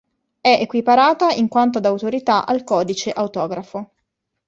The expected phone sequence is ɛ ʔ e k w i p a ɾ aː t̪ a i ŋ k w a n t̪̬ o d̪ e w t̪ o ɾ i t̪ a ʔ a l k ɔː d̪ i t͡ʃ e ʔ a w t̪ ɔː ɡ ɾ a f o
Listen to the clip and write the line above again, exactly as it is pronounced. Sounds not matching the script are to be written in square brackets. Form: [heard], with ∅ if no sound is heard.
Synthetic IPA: ɛ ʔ e k w i p a ɾ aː t̪ a i ŋ k w a n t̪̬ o d̪ [a] w t̪ o ɾ i t̪ a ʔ a l k ɔː d̪ i t͡ʃ e ʔ a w t̪ ɔː ɡ ɾ a f o